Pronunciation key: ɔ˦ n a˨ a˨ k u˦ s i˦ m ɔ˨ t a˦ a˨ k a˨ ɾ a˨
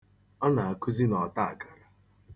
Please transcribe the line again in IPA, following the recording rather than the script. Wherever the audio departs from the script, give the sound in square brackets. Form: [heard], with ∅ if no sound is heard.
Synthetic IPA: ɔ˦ n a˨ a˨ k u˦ [z] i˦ [n] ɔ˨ t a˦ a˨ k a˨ ɾ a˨